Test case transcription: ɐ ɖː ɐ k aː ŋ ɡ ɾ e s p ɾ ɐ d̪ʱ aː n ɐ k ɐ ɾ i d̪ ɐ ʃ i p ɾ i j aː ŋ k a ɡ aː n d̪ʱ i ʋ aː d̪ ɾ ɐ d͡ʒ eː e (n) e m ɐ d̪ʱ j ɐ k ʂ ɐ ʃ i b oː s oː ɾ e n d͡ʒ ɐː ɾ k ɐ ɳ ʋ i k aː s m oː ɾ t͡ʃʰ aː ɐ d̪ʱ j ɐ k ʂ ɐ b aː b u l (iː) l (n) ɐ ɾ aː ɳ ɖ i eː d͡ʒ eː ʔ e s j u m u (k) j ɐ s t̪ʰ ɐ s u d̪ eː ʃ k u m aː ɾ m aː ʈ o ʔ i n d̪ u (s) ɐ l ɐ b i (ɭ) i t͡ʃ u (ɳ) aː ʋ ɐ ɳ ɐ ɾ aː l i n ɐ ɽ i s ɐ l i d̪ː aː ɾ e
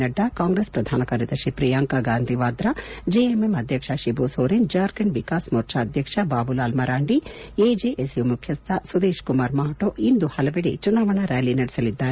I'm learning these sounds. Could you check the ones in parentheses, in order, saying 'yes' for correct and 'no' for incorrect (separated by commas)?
no, no, no, no, no, no, no